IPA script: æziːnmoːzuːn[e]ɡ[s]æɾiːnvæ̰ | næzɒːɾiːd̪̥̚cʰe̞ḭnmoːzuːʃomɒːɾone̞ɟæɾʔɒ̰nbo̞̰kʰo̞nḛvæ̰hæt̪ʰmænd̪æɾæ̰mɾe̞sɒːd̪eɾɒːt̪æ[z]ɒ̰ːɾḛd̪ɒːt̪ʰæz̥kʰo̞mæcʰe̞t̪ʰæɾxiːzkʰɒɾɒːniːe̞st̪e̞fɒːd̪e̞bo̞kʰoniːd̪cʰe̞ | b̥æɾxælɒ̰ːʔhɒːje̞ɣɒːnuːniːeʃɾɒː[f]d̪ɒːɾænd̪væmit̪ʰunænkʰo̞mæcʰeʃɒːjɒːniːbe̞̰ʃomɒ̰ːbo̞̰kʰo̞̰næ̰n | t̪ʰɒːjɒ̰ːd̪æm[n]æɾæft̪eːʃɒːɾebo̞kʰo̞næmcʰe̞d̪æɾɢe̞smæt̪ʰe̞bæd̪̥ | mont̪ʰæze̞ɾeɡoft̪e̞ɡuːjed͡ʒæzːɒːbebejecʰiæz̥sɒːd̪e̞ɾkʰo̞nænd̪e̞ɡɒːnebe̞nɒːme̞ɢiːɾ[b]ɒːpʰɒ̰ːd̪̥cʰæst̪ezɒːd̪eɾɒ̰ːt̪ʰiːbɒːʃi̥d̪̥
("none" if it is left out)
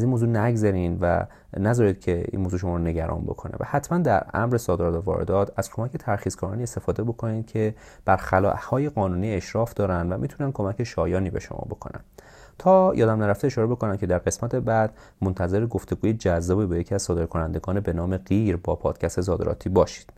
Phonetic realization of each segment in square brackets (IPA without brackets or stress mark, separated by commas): æ, z, v, f, n, b